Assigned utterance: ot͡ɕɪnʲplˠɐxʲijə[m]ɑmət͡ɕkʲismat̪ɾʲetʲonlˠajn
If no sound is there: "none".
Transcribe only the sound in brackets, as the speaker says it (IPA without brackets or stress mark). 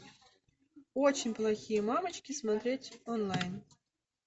m